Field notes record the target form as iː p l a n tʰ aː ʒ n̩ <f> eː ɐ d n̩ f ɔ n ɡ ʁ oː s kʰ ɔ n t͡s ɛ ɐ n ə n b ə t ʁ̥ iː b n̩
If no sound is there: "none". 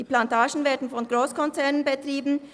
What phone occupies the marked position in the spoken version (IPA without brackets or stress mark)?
v